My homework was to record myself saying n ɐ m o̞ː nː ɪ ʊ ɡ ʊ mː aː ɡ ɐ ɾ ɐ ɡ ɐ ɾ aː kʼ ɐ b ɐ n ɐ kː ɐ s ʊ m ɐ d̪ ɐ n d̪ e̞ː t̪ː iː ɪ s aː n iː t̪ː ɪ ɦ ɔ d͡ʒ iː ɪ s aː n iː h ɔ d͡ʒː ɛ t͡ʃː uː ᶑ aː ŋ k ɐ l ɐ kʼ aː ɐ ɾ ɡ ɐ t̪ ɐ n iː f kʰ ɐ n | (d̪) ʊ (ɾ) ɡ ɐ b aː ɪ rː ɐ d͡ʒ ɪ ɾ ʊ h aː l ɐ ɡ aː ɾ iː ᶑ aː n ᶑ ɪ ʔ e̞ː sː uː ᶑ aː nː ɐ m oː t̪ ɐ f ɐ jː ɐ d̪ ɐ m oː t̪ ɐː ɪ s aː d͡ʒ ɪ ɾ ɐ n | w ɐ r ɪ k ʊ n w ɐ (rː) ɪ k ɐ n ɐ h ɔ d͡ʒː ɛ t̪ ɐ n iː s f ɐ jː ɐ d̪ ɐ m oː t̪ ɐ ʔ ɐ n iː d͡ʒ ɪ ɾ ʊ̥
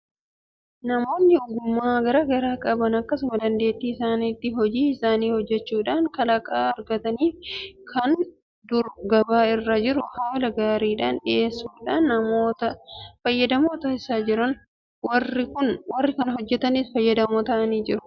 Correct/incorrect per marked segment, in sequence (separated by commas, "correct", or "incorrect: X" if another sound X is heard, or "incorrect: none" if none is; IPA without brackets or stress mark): correct, correct, correct